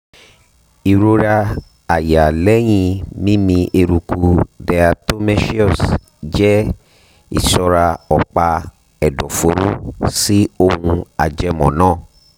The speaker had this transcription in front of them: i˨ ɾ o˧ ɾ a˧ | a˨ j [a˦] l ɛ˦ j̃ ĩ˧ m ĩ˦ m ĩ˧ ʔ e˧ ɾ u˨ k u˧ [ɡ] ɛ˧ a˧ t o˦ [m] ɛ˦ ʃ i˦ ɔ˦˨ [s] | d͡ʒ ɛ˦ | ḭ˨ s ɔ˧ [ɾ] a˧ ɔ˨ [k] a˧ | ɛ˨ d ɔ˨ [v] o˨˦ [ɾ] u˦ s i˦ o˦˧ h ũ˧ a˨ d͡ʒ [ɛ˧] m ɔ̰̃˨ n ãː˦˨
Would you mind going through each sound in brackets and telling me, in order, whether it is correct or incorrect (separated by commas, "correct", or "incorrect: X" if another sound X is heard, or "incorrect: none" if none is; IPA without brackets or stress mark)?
incorrect: a˨, incorrect: d, correct, correct, correct, incorrect: k͡p, incorrect: f, correct, correct